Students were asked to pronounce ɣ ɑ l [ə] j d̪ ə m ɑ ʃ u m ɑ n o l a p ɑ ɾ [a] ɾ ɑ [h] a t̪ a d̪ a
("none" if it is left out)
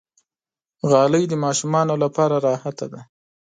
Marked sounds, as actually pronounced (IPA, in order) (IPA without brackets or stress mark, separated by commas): ə, a, h